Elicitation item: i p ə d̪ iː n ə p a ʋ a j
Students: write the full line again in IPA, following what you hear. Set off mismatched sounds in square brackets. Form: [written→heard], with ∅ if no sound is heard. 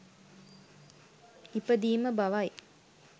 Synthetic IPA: i p ə d̪ iː [n→m] ə [p→b] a ʋ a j